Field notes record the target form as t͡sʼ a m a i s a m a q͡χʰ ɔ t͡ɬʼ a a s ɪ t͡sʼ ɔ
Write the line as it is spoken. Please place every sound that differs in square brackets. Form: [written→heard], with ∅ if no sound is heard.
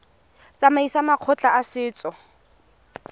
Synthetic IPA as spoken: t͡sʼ a m a i s a m a q͡χʰ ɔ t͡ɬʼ a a s [ɪ→ɪː] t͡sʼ ɔ